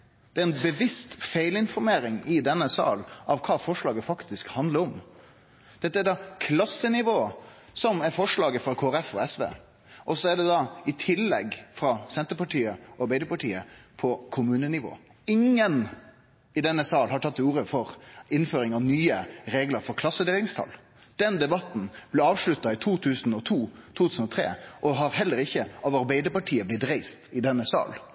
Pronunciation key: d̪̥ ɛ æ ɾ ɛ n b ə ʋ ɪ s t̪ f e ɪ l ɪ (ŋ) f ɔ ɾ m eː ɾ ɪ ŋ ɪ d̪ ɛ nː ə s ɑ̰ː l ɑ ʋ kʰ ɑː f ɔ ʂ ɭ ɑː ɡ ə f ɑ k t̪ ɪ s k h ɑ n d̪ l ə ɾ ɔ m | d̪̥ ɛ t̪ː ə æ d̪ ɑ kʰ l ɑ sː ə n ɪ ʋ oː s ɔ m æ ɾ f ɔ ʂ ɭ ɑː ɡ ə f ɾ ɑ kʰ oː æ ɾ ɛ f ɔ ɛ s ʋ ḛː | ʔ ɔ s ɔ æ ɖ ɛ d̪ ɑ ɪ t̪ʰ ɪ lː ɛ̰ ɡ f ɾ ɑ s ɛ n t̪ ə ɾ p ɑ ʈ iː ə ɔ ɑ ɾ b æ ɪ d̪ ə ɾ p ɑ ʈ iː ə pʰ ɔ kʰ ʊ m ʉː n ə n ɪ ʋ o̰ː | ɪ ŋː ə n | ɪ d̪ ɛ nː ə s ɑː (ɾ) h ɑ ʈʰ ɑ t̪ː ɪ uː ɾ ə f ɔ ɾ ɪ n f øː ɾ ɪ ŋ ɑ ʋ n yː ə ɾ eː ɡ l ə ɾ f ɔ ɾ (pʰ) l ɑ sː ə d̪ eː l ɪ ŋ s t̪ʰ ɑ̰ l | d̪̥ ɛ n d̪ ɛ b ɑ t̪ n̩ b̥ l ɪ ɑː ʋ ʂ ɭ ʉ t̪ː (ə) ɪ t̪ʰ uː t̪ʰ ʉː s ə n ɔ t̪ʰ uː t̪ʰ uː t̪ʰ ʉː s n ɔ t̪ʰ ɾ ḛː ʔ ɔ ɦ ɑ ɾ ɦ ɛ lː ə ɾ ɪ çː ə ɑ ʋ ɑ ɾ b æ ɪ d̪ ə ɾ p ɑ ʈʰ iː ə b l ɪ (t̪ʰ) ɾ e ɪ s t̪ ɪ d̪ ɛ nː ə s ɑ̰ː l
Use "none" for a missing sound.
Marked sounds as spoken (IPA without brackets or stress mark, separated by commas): n, l, kʰ, ɑ, t̪